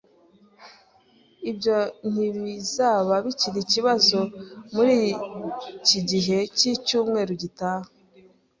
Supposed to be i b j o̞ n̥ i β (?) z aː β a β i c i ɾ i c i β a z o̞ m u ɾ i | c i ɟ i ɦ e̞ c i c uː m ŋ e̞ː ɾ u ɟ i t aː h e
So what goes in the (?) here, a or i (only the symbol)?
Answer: i